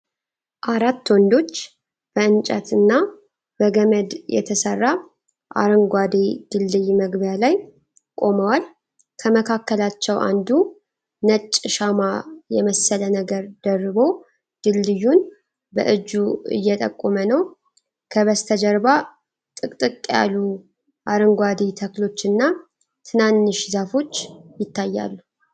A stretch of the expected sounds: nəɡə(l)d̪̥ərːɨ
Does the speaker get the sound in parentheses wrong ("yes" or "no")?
yes